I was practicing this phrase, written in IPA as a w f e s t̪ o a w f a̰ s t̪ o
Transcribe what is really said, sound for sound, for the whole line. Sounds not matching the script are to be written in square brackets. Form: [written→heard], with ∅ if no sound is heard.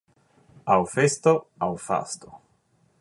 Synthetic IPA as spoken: a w f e s t̪ o a w f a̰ s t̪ o